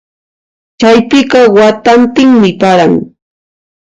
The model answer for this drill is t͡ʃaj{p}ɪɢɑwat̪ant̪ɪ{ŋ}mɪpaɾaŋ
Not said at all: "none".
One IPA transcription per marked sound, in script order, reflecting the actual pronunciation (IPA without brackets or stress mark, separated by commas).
p, ŋ